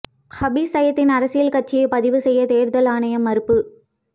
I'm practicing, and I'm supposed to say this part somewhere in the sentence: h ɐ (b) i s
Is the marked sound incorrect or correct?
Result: correct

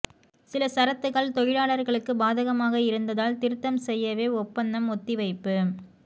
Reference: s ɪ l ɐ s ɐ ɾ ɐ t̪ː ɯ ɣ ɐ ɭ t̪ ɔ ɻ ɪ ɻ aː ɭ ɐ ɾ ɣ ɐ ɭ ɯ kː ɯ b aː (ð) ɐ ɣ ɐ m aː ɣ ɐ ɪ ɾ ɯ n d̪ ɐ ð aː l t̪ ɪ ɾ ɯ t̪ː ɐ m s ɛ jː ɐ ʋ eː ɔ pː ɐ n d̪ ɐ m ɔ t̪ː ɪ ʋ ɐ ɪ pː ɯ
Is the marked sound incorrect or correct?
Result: correct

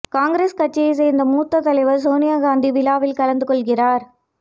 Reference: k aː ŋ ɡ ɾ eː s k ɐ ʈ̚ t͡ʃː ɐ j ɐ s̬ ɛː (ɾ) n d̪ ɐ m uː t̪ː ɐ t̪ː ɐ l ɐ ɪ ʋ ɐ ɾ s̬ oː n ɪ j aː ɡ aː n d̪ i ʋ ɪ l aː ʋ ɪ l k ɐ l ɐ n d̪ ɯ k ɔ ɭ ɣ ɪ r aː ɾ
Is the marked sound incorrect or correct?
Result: correct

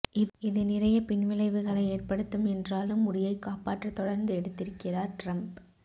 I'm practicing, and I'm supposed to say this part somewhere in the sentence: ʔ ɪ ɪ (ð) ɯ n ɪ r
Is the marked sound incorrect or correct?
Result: correct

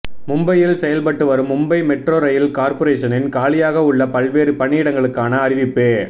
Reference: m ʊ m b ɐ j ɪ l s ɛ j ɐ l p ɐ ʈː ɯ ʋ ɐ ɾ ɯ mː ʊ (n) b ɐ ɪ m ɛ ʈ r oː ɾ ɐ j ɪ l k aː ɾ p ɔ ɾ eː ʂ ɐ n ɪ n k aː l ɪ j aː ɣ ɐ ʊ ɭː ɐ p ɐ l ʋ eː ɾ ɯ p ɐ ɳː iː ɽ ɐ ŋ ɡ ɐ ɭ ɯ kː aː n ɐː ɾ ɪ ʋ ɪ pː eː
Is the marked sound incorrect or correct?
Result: incorrect: m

